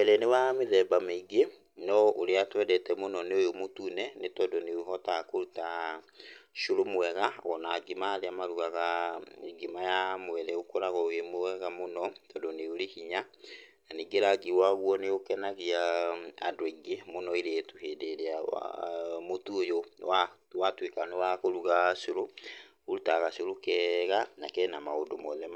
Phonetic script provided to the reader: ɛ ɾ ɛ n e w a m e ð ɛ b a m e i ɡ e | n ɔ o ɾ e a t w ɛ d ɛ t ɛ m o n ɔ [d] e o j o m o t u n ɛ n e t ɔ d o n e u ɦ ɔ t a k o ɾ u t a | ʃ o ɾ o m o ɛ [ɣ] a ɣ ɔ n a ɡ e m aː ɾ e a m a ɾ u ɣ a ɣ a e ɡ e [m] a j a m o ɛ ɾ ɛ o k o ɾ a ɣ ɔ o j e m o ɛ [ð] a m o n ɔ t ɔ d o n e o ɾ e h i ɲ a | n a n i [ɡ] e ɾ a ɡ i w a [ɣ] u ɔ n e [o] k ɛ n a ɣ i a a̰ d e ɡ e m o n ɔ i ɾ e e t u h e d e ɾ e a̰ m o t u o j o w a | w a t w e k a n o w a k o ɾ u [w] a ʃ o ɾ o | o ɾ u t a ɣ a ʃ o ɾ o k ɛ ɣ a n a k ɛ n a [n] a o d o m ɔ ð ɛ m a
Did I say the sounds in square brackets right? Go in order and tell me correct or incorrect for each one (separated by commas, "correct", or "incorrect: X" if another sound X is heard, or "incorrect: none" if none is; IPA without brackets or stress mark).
incorrect: n, correct, correct, incorrect: ɣ, correct, correct, correct, incorrect: ɣ, incorrect: m